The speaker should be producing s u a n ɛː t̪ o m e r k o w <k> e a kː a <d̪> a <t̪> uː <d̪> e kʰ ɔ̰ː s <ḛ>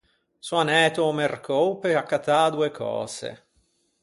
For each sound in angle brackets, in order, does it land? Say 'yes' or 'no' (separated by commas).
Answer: no, no, no, no, yes